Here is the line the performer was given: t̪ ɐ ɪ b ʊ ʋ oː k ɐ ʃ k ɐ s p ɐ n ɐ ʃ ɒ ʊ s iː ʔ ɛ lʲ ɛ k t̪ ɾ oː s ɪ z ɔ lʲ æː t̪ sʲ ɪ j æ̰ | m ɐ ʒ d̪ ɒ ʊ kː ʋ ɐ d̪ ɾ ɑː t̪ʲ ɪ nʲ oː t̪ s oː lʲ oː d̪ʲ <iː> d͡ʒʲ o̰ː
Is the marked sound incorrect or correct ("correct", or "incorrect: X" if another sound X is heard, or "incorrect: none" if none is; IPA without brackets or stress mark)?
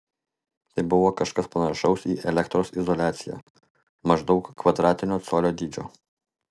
correct